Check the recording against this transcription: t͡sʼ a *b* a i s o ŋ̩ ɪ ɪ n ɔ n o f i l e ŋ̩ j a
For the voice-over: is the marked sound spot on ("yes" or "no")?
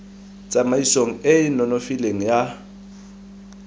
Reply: no